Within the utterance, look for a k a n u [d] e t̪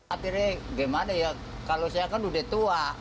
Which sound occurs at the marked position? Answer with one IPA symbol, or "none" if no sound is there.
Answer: d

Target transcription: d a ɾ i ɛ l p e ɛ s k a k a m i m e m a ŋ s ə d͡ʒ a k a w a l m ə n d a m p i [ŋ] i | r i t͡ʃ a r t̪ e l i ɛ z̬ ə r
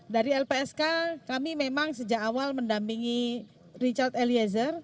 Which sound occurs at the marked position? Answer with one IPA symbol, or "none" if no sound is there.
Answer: ŋ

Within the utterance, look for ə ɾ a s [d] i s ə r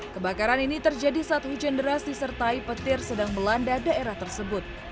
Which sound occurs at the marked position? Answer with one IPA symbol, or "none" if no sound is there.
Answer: d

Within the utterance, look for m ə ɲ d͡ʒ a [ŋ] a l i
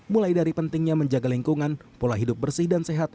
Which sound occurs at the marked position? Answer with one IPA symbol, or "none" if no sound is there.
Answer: ɡ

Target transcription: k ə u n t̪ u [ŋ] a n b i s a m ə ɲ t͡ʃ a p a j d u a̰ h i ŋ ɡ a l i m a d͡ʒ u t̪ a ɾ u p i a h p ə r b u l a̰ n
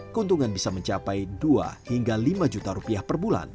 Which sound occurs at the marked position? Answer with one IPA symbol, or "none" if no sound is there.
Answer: ŋ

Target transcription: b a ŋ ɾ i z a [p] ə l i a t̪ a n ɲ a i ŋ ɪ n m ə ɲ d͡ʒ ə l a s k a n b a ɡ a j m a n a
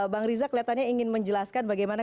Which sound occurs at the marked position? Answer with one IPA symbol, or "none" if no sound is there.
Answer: k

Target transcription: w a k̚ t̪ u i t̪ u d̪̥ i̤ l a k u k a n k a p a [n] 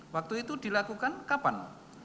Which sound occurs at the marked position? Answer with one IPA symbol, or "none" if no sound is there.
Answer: n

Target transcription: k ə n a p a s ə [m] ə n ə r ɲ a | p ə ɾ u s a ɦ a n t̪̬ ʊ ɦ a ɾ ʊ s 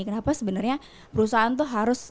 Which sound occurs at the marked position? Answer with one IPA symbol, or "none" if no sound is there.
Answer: b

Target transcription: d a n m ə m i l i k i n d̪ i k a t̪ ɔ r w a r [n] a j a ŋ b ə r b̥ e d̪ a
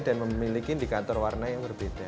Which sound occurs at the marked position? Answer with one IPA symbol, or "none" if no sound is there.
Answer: n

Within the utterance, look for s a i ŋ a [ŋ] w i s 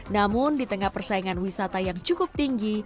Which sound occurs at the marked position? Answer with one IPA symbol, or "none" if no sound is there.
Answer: n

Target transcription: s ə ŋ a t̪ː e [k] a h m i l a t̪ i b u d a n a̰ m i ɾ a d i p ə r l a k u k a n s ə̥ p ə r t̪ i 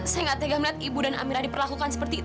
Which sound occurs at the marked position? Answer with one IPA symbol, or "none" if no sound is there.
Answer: ɡ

